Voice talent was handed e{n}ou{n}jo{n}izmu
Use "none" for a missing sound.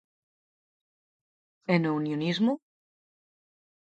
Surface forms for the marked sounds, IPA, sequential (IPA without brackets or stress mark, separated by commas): n, n, n